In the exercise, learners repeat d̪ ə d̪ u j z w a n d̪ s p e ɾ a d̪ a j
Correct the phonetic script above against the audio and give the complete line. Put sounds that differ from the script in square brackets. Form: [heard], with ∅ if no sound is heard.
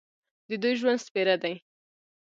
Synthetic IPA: d̪ ə d̪ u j [ʒ] w a n d̪ s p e ɾ a d̪ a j